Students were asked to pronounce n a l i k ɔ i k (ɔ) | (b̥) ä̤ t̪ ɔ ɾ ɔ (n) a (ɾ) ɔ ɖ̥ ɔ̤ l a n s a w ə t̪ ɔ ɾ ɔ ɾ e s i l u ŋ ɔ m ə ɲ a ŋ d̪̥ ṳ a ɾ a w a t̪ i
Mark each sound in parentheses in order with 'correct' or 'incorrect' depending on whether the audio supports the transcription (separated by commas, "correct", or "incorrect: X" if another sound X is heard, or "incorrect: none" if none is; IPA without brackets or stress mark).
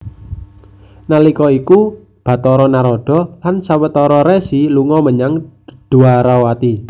incorrect: u, correct, correct, correct